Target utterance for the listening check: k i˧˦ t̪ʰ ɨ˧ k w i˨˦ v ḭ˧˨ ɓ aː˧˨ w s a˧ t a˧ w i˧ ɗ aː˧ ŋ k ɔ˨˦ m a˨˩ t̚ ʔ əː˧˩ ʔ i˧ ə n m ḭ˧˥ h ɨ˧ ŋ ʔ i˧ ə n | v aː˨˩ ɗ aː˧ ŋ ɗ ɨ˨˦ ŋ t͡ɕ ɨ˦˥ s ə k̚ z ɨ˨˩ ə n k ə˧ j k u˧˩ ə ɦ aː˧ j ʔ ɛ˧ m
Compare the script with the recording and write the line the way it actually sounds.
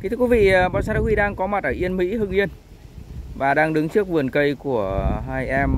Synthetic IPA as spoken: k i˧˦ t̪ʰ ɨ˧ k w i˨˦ v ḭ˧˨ ɓ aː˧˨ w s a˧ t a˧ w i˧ ɗ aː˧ ŋ k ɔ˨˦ m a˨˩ t̚ ʔ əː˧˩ ʔ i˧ ə n m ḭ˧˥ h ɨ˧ ŋ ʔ i˧ ə n | v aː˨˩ ɗ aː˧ ŋ ɗ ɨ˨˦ ŋ t͡ɕ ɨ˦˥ ə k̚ v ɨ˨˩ ə n k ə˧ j k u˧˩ ə ɦ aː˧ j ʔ ɛ˧ m

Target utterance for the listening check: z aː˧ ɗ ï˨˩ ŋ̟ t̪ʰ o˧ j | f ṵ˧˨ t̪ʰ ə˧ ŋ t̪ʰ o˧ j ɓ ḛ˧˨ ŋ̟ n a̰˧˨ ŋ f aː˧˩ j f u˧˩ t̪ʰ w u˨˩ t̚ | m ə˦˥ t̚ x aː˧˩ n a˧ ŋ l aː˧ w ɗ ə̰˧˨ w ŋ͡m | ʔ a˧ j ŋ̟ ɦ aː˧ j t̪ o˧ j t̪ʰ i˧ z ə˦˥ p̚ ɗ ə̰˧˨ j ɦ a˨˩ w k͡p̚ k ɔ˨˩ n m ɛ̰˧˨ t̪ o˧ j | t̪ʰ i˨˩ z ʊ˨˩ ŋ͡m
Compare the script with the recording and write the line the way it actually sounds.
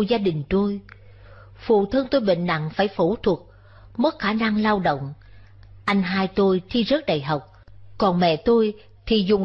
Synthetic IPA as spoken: z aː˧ ɗ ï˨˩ ŋ̟ t̪ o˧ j | f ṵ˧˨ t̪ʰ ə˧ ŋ t̪ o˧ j ɓ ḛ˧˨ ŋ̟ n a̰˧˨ ŋ f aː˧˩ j f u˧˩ t̪ʰ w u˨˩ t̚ | m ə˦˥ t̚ x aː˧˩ n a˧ ŋ l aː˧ w ɗ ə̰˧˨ w ŋ͡m | ʔ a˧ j ŋ̟ ɦ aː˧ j t̪ o˧ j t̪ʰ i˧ z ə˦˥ t̚ ɗ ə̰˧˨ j ɦ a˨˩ w k͡p̚ k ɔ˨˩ n m ɛ̰˧˨ t̪ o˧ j | t̪ʰ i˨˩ z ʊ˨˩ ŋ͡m

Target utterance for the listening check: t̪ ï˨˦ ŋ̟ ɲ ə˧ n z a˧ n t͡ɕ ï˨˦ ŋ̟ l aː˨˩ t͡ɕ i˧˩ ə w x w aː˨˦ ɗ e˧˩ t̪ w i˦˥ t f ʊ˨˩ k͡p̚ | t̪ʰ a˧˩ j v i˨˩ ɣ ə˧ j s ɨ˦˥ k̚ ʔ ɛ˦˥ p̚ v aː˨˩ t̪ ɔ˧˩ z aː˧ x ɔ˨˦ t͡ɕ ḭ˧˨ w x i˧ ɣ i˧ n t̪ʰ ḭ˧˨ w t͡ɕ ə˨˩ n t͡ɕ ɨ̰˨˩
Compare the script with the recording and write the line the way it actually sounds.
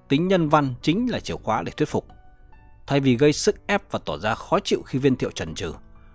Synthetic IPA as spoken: t̪ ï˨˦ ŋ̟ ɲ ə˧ n v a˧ n t͡ɕ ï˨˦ ŋ̟ l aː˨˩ t͡ɕ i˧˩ ə w x w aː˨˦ ɗ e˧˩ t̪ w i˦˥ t f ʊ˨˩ k͡p̚ | t̪ʰ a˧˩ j v i˨˩ ɣ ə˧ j s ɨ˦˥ k̚ ʔ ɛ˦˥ p̚ v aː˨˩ t̪ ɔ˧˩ z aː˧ x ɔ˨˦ t͡ɕ ḭ˧˨ w x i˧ v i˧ n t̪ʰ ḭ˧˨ w t͡ɕ ə˨˩ n t͡ɕ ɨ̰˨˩

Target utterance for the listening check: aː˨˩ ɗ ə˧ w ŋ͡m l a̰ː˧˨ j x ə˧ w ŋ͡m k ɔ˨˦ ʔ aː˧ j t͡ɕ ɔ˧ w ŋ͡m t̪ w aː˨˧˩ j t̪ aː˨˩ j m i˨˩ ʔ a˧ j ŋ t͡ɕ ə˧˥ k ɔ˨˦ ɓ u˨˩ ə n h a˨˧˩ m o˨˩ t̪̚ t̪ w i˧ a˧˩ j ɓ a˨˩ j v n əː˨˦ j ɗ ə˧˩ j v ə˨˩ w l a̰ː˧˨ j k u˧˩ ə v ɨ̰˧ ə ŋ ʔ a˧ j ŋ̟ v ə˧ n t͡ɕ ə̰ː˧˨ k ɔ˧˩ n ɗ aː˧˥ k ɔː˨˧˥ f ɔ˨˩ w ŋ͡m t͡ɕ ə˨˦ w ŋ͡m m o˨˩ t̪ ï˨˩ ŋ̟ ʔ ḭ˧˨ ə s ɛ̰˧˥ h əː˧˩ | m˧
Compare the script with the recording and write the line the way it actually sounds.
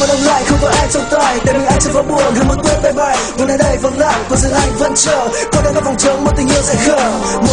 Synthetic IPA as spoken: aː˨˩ ɗ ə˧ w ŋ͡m l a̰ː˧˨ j x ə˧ w ŋ͡m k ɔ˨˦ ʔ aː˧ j t͡ɕ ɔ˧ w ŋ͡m t̪ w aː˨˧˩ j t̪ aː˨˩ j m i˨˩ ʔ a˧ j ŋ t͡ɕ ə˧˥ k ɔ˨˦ ɓ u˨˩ ə n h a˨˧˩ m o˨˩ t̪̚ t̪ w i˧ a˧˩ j ɓ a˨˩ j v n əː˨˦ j ɗ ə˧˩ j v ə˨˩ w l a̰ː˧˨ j k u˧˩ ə z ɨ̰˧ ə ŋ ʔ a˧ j ŋ̟ v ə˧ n t͡ɕ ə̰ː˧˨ k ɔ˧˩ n ɗ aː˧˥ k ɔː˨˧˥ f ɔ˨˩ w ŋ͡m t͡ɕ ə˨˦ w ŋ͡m m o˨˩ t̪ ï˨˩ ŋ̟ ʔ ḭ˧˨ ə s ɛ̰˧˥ x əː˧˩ | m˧

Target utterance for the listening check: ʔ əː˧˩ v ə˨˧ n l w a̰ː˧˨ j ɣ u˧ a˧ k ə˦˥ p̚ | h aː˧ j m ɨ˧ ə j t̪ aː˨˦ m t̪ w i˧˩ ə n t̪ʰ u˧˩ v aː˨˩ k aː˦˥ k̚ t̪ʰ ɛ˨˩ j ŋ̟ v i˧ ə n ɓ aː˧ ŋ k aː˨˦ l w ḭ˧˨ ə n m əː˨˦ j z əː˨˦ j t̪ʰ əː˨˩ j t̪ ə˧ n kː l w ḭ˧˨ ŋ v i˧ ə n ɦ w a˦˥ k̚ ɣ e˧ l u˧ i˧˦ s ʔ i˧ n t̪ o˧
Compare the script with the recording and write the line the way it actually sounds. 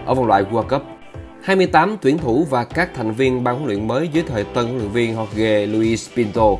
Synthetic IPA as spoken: ʔ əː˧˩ v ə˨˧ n l w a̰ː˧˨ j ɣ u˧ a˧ k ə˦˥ p̚ | h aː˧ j m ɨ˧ ə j t̪ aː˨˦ m t̪ w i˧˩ ə n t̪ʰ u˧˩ v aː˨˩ k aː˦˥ k̚ t̪ʰ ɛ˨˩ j ŋ̟ v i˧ ə n ɓ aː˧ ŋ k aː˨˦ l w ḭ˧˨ ə n m əː˨˦ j z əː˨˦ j t̪ʰ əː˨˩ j t̪ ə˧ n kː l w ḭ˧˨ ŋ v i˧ ə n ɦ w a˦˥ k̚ ɣ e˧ l u˧ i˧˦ s p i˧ n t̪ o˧

